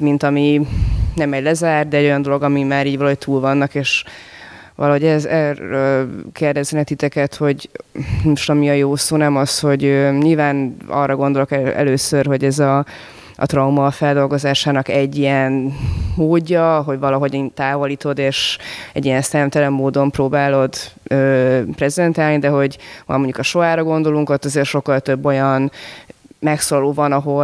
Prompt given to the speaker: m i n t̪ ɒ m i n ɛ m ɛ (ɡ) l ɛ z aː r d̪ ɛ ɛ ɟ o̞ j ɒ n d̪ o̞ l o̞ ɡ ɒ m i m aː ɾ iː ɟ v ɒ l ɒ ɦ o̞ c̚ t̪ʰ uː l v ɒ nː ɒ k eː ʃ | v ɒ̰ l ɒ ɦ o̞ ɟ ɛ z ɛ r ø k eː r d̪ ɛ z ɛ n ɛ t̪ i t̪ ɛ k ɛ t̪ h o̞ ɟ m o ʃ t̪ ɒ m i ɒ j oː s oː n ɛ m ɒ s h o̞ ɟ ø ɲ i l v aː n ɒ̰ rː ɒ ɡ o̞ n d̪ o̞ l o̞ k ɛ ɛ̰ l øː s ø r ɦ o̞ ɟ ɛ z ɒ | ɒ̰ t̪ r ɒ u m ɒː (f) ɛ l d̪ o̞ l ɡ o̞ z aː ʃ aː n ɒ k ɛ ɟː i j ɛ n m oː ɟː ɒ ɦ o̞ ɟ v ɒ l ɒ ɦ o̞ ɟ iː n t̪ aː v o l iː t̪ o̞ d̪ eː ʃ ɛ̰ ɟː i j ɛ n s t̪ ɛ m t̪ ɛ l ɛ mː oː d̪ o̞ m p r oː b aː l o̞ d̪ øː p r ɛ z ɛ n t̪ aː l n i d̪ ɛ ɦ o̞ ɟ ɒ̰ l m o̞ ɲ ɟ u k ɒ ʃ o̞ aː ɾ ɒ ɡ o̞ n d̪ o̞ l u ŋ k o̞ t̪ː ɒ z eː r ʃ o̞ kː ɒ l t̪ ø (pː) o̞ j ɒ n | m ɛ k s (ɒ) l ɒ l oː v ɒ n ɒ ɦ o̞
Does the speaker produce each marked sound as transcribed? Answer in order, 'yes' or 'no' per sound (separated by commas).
no, yes, no, no